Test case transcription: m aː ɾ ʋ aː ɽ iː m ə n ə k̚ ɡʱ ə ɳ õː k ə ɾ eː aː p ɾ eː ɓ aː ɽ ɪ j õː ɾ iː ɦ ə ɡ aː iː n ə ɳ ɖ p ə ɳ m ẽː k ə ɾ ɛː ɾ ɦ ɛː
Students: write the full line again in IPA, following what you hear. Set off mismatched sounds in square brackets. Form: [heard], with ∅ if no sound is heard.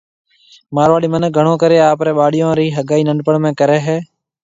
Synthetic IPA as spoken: m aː ɾ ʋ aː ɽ iː m ə n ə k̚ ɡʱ ə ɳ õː k ə ɾ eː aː p ɾ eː ɓ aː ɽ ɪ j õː ɾ iː ɦ ə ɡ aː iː n ə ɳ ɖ p ə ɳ m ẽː k ə ɾ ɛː [∅] ɦ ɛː